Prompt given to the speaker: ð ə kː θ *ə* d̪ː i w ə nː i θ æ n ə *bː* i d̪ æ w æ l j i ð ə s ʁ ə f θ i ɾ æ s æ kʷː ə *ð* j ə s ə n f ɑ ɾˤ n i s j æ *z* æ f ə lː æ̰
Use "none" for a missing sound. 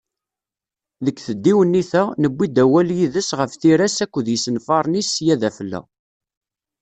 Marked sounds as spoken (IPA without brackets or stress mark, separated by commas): ə, bː, ð, ð